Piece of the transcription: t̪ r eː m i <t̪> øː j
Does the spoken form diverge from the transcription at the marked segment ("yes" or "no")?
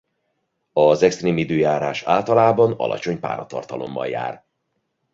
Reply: yes